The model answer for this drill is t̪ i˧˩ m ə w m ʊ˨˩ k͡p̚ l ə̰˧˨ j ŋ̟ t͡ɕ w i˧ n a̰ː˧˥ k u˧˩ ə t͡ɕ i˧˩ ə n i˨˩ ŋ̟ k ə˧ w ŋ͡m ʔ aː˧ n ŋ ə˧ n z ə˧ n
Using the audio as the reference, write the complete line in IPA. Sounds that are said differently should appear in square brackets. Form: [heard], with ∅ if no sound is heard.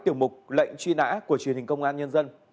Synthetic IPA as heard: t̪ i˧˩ [∅] ə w m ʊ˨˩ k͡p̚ l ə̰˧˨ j ŋ̟ t͡ɕ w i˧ n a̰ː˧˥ k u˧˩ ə t͡ɕ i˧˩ ə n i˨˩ ŋ̟ k ə˧ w ŋ͡m ʔ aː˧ n [ɲ] ə˧ n z ə˧ n